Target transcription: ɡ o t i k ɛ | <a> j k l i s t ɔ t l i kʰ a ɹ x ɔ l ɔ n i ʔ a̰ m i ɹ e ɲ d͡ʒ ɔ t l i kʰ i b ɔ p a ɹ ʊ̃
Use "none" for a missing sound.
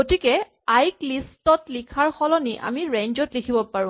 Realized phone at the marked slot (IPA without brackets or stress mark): a